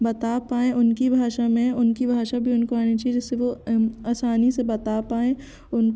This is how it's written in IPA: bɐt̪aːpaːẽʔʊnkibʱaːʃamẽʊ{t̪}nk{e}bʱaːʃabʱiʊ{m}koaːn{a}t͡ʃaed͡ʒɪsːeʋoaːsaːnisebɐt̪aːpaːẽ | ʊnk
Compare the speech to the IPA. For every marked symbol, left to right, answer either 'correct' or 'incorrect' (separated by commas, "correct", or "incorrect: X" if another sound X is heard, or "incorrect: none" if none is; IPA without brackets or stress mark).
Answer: incorrect: none, incorrect: i, incorrect: n, incorrect: i